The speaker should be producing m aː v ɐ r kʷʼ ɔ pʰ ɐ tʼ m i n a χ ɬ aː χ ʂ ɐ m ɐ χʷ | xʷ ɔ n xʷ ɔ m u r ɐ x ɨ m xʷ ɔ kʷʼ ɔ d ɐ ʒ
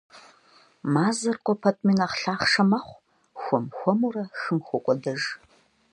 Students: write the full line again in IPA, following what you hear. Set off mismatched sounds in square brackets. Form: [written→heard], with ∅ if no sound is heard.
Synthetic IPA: m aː [v→z] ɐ r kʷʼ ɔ pʰ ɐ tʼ m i n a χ ɬ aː χ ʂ ɐ m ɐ χʷ | xʷ ɔ [n→m] xʷ ɔ m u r ɐ x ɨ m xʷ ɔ kʷʼ ɔ d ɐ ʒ